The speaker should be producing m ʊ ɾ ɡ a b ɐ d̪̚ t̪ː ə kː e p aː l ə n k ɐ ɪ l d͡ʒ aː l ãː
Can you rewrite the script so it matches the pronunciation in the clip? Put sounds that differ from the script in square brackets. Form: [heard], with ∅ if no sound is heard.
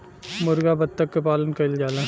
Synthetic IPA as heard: m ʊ ɾ ɡ a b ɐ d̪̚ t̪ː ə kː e p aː l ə n k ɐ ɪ l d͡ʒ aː l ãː